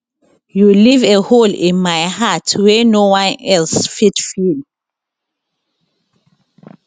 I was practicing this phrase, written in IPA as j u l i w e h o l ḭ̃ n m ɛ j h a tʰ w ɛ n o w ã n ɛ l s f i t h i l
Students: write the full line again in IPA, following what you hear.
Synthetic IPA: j u l i v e h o l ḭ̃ n m a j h a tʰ w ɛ n o w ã n ɛ l s f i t f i l